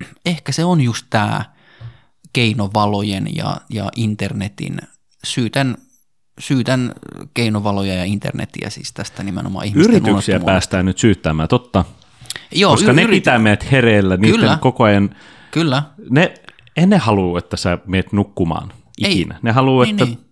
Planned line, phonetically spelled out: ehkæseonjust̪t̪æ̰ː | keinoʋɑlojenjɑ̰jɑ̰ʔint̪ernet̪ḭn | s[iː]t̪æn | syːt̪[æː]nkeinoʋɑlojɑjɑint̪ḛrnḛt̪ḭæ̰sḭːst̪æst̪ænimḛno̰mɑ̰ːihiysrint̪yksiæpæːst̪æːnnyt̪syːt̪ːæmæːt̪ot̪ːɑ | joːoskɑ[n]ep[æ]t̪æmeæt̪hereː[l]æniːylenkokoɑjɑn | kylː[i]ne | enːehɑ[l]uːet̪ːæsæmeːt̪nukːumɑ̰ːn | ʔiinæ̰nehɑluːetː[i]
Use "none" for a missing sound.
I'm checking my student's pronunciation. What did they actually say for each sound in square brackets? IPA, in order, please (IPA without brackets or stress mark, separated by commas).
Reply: yː, æ, n, i, lː, æ, l, æ